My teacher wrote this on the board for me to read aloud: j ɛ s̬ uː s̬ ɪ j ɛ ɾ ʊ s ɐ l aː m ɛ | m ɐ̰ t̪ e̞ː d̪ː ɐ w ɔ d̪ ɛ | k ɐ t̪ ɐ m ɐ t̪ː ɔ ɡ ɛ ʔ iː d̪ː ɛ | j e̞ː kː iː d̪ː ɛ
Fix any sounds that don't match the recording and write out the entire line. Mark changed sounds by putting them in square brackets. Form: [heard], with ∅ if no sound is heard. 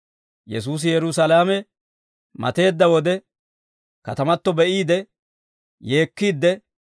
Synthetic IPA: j ɛ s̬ uː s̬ ɪ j ɛ ɾ ʊ s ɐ l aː m ɛ | m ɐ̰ t̪ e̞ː d̪ː ɐ w ɔ d̪ ɛ | k ɐ t̪ ɐ m ɐ t̪ː ɔ [b] ɛ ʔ iː [d̪] ɛ | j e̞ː kː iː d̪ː ɛ